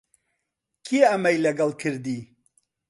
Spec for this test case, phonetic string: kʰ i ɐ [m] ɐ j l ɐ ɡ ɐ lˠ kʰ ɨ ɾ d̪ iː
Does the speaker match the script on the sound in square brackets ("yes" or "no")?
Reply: yes